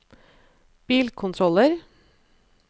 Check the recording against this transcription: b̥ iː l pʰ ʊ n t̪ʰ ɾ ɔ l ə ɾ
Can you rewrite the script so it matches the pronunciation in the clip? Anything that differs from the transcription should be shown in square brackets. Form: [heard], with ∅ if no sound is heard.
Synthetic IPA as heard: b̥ iː l [kʰ] ʊ n t̪ʰ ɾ ɔ l ə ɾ